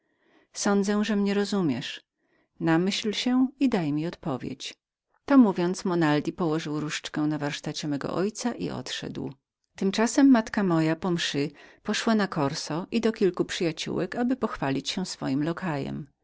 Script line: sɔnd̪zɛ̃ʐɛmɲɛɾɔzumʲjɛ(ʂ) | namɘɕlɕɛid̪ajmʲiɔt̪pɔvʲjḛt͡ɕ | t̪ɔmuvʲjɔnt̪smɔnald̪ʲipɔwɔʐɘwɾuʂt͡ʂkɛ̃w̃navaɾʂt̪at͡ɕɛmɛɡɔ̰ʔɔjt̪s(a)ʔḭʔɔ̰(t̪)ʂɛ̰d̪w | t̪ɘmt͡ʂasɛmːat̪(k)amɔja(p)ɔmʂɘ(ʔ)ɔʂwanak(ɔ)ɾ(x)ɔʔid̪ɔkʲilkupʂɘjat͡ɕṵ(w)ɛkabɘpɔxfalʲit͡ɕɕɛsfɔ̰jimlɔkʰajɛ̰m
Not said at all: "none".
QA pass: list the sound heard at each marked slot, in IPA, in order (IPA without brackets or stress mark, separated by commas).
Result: ʂ, a, t̪, k, p, p, ɔ, s, w